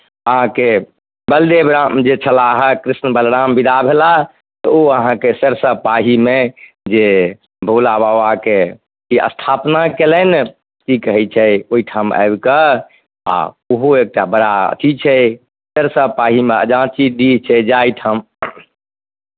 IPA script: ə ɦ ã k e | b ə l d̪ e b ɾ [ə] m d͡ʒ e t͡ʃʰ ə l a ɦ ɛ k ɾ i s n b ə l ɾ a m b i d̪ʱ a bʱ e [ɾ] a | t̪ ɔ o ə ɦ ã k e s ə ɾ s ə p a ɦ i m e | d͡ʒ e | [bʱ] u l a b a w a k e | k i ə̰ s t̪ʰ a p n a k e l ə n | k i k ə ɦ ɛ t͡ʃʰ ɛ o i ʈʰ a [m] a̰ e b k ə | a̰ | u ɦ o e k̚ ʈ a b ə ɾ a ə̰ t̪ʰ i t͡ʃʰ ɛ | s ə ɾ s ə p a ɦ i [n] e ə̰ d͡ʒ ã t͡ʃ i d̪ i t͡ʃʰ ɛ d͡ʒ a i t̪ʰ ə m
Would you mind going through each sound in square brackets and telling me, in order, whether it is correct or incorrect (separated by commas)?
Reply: incorrect, incorrect, correct, correct, incorrect